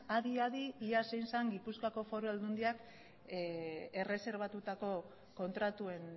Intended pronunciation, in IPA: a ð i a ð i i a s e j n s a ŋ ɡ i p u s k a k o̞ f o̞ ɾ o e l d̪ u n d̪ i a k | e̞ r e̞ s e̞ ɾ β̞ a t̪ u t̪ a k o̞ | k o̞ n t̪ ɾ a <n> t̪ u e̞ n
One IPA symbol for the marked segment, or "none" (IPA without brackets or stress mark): none